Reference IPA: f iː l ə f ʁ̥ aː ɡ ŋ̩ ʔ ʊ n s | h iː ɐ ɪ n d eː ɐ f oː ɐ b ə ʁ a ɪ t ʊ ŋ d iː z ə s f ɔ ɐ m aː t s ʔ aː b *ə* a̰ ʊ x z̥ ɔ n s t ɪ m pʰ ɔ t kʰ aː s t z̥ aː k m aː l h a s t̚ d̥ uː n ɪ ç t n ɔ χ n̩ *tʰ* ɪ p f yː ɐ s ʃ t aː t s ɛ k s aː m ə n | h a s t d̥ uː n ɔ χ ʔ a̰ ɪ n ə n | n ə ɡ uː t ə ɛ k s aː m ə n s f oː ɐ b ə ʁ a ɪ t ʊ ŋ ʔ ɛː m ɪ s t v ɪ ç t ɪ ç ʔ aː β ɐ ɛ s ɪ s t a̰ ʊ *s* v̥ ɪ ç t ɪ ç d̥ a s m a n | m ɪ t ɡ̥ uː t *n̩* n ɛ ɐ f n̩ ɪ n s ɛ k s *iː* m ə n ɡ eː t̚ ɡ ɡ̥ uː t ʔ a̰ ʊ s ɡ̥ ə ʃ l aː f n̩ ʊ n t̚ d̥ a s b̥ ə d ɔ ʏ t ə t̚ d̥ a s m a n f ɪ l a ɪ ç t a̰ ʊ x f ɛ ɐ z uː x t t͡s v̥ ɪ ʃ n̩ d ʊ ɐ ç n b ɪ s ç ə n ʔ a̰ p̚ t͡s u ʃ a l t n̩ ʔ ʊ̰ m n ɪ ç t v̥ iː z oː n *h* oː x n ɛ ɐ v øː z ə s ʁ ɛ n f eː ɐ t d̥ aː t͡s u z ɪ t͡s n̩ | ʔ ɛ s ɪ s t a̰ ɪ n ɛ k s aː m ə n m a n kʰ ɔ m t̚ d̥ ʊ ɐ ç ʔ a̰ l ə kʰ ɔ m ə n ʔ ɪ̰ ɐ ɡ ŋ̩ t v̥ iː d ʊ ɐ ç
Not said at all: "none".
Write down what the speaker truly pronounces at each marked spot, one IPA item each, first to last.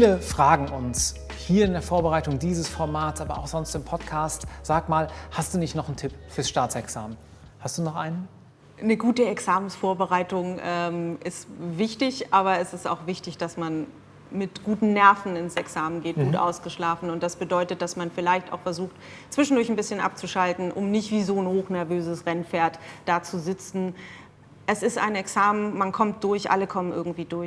ɐ, tʰ, x, n̩, aː, h

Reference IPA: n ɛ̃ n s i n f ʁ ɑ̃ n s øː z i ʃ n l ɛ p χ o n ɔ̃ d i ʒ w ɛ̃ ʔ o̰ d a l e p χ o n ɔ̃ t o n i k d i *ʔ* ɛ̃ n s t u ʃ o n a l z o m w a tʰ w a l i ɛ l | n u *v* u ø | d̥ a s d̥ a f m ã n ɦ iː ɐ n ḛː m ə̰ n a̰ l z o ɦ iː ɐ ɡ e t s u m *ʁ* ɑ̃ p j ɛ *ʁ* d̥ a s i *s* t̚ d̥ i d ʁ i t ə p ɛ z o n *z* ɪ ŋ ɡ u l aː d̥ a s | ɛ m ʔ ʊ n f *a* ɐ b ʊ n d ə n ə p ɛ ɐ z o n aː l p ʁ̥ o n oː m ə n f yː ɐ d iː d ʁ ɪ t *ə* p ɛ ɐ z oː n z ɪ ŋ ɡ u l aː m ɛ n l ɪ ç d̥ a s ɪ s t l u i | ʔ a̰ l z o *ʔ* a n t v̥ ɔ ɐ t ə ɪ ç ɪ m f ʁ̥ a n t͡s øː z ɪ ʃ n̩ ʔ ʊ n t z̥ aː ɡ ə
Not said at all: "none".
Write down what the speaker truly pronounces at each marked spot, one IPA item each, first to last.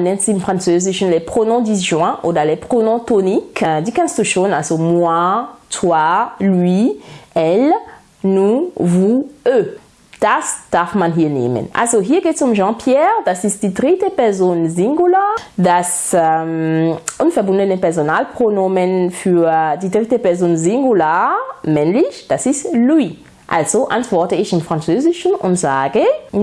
k, v, ʒ, ʁ, s, z, ɛ, ə, ʔ

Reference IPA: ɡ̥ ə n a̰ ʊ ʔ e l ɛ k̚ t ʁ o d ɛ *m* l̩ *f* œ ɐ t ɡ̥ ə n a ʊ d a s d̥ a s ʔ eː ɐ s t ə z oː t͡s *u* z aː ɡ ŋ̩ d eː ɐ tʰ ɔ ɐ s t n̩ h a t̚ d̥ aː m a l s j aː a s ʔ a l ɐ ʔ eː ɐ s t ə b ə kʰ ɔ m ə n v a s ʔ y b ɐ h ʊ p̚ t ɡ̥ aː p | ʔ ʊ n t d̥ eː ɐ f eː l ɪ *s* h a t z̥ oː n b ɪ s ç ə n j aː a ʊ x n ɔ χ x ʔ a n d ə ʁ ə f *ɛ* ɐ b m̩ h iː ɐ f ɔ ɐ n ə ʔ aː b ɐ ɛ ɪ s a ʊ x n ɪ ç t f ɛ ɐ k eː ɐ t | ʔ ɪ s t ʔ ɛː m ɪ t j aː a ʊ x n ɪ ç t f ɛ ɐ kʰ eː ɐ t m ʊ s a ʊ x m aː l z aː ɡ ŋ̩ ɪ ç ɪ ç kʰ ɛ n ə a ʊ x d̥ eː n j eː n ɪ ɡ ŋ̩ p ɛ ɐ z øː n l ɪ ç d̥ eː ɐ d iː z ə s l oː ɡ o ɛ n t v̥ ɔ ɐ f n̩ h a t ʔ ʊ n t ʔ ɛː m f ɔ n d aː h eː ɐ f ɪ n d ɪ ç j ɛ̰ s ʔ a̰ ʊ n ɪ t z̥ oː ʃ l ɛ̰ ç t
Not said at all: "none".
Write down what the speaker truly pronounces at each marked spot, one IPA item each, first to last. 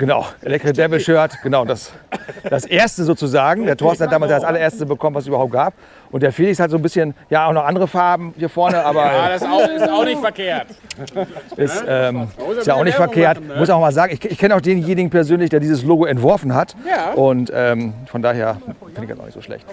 b, ʃ, u, s, a

